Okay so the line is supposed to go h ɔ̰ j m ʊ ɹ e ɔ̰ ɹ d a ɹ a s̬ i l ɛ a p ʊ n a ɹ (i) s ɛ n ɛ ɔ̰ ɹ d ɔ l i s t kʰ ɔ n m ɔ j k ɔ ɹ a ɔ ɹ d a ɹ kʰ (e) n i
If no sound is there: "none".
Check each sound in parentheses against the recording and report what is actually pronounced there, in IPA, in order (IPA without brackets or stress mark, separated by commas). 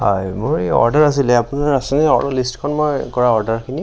a, i